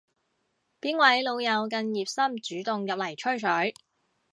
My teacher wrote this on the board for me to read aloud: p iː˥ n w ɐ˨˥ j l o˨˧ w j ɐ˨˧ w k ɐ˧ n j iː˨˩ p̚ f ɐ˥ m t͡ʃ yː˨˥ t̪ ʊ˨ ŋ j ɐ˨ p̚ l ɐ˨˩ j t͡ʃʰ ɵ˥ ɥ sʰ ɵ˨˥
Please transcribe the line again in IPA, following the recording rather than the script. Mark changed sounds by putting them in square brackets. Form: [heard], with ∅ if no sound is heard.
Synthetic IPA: p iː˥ n w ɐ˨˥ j l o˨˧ w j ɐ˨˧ w k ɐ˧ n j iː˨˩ p̚ [s] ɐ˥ m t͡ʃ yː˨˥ t̪ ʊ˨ ŋ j ɐ˨ p̚ l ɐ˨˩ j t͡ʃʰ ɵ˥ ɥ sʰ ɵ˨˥